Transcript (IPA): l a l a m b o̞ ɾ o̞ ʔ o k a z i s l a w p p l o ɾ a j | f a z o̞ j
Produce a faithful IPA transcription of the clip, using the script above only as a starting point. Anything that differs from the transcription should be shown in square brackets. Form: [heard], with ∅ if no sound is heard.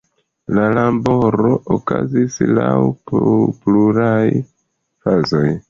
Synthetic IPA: l a l a m b o̞ ɾ o̞ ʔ o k a z i s l a w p p l [u] ɾ a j | f a z o̞ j